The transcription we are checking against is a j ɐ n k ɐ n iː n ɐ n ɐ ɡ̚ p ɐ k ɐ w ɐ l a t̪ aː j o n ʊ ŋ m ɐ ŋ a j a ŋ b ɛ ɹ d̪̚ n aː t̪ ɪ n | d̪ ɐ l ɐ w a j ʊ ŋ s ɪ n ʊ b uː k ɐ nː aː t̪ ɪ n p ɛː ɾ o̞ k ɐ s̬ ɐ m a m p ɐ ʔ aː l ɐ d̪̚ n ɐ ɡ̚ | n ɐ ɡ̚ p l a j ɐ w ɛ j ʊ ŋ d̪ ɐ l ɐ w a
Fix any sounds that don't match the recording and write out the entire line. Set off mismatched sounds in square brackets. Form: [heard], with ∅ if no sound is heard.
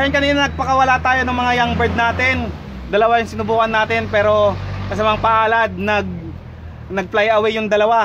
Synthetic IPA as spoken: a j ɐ n k ɐ n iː n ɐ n ɐ ɡ̚ p ɐ k ɐ w ɐ l a t̪ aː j o n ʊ ŋ m ɐ ŋ a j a ŋ b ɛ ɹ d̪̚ n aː t̪ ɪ n | d̪ ɐ l ɐ w a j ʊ ŋ s ɪ n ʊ b uː k ɐ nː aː t̪ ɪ n p ɛː ɾ o̞ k ɐ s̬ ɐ m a [ŋ] p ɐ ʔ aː l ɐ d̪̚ n ɐ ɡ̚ | n ɐ ɡ̚ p l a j ɐ w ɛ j ʊ ŋ d̪ ɐ l ɐ w a